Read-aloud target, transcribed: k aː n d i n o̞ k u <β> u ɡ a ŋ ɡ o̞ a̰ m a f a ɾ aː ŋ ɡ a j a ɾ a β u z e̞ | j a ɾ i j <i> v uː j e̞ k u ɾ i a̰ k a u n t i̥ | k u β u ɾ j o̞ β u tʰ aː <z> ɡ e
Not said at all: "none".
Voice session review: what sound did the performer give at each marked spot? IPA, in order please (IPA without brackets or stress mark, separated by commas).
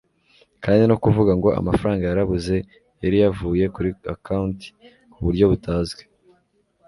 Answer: v, a, z